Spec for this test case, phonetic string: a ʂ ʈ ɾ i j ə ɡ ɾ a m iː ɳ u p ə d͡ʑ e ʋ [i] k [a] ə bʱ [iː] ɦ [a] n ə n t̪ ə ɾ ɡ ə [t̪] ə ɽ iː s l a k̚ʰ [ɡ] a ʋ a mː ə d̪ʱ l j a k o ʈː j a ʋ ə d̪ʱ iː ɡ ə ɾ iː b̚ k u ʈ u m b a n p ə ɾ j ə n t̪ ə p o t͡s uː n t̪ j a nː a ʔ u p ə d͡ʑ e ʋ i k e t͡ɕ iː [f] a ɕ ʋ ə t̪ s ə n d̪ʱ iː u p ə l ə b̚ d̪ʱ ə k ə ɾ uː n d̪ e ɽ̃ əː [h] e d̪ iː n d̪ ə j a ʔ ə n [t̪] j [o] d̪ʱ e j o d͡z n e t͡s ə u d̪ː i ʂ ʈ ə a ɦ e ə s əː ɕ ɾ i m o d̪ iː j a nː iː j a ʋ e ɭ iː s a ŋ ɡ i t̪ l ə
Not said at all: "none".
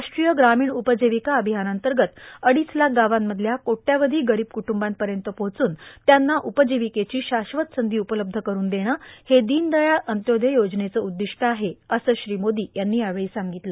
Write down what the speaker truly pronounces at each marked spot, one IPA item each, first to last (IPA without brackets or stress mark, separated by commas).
i, a, i, a, t̪, ɡ, ɕ, h, t̪, o